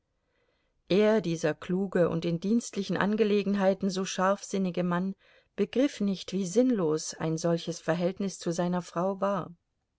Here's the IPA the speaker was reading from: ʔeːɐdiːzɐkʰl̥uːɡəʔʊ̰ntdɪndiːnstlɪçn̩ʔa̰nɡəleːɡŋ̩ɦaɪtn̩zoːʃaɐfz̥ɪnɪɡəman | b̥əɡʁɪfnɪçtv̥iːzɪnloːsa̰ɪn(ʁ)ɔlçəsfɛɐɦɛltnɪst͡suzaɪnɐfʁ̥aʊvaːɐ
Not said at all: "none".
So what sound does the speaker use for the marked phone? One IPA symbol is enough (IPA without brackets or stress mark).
z